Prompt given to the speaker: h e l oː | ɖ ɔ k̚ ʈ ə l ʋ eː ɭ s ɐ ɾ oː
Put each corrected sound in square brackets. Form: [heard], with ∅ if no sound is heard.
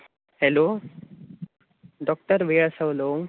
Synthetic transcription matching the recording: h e l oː | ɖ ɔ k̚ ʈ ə [ɾ] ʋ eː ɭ s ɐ [l] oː